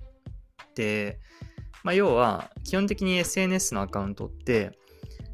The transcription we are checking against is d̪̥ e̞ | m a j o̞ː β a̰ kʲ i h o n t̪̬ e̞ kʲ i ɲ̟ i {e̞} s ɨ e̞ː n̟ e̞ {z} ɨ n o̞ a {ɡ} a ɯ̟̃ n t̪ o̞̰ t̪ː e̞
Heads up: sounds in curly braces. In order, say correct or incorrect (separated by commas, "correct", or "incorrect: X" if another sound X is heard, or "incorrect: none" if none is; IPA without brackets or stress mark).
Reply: correct, incorrect: s, incorrect: k